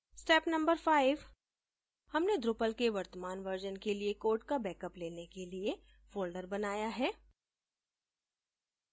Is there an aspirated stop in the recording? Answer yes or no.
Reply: no